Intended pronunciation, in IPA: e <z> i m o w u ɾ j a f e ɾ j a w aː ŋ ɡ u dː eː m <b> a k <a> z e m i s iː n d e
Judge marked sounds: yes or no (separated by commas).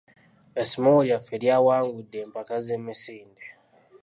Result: no, no, yes